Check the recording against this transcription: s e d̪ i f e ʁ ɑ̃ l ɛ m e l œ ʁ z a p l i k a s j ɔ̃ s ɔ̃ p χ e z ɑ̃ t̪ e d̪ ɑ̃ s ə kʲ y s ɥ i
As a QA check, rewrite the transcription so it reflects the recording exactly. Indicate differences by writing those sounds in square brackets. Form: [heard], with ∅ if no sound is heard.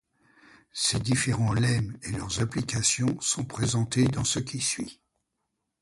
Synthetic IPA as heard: s e d̪ i f e ʁ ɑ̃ l ɛ m e l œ ʁ z a p l i k a s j ɔ̃ s ɔ̃ p χ e z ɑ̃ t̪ e d̪ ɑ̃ s ə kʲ [i] s ɥ i